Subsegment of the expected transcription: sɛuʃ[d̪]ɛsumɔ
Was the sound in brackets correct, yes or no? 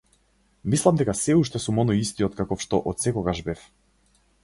no